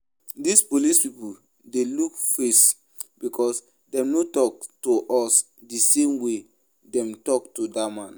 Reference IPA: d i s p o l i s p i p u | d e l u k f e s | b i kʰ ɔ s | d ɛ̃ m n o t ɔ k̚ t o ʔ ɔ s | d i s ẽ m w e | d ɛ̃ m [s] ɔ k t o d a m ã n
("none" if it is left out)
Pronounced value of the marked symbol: t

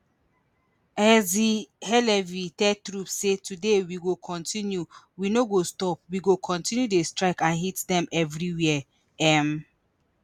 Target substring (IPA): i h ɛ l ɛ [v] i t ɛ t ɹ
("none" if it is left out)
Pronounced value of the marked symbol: v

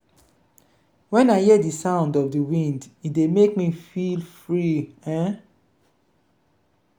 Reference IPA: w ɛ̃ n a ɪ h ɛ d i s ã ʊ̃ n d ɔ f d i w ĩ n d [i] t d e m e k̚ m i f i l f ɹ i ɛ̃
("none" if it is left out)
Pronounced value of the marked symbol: i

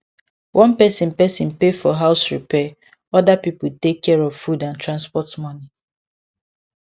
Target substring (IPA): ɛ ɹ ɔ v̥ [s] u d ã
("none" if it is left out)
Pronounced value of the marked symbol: f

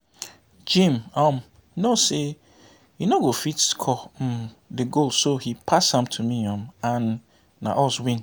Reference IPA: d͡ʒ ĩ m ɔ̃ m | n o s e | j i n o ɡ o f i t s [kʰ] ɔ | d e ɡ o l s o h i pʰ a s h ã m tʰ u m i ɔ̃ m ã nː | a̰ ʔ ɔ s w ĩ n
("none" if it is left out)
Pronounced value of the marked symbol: kʰ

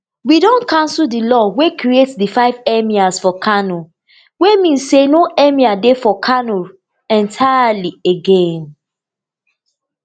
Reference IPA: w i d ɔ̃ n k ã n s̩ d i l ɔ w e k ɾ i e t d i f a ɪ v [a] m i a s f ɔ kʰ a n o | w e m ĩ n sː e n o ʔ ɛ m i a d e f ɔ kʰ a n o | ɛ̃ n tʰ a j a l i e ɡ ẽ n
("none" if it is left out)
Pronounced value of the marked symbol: ɛ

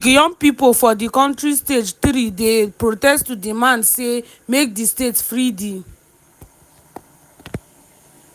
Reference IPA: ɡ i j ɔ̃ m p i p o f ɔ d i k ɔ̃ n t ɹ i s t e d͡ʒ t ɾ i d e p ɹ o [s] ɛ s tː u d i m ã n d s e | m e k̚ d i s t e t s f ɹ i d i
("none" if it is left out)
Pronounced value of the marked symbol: t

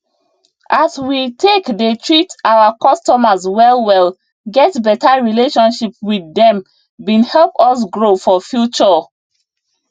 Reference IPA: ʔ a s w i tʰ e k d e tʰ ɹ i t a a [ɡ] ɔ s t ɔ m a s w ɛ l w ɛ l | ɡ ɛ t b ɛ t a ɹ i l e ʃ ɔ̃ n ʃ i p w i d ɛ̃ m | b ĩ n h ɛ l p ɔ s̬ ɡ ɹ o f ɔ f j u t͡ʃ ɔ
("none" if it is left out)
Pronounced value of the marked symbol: k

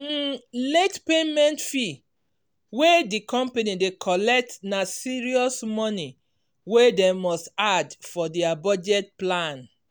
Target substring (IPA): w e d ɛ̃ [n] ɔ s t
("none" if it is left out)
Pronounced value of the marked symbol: m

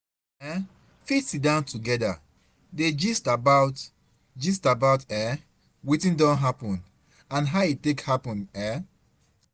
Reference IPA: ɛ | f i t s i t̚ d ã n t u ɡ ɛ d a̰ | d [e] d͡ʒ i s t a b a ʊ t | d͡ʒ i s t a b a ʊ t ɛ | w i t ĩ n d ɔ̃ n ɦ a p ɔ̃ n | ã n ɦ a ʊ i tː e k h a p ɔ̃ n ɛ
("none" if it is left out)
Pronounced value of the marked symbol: e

